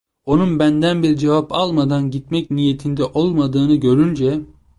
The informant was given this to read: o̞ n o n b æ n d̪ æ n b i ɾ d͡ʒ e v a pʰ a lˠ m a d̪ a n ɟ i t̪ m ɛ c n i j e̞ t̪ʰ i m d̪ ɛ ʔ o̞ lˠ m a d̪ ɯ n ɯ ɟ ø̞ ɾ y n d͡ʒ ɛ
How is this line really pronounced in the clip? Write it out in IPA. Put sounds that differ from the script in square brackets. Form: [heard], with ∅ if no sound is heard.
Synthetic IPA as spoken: o̞ n [u] n b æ n d̪ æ n b i ɾ d͡ʒ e v a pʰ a lˠ m a d̪ a n ɟ i t̪ m ɛ c n i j e̞ t̪ʰ i [n] d̪ ɛ ʔ o̞ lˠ m a d̪ [ɯː] n ɯ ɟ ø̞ ɾ y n d͡ʒ ɛ